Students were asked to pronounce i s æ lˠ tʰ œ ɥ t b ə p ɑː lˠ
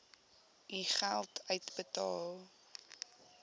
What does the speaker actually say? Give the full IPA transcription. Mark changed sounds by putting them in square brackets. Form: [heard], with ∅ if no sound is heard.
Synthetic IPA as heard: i [χ] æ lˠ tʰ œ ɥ t b ə [t] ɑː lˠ